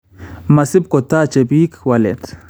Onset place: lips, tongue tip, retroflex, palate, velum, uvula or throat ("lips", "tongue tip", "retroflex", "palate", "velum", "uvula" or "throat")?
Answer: lips